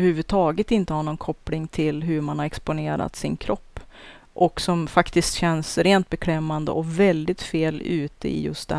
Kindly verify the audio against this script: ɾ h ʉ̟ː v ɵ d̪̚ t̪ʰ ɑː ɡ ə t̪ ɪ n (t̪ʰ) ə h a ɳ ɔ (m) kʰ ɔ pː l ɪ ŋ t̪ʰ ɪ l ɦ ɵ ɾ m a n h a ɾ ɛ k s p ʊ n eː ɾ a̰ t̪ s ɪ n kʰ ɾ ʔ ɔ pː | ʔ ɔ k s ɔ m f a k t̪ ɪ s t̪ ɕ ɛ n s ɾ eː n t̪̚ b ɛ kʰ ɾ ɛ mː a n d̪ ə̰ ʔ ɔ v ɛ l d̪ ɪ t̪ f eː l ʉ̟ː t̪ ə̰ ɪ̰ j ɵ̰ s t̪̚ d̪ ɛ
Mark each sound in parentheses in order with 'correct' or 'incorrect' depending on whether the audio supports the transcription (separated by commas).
incorrect, incorrect